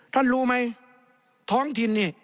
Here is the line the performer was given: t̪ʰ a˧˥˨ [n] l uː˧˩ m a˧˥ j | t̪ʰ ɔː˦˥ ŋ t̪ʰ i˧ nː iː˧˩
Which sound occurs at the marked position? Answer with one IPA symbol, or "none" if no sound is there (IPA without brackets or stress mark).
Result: n